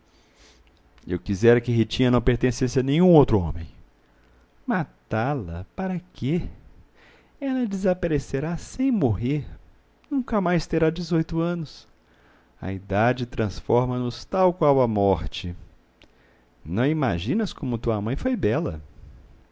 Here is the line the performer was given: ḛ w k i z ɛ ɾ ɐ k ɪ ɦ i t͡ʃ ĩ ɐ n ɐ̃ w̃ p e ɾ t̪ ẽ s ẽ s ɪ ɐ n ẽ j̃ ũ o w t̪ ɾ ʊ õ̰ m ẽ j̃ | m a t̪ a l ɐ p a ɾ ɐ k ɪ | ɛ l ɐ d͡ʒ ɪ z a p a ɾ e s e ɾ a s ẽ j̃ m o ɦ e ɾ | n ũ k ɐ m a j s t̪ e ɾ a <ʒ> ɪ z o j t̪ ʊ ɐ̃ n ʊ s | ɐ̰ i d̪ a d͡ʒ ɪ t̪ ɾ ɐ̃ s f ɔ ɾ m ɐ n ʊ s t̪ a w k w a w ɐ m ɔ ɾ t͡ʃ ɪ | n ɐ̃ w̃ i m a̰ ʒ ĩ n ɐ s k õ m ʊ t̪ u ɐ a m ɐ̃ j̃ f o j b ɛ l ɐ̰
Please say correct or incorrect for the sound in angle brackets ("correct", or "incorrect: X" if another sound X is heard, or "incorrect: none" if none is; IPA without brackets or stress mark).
incorrect: d͡ʒ